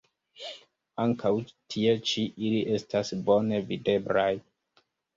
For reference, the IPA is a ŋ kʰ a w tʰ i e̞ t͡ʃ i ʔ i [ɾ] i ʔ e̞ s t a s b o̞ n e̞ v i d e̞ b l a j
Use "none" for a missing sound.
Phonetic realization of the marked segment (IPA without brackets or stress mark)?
l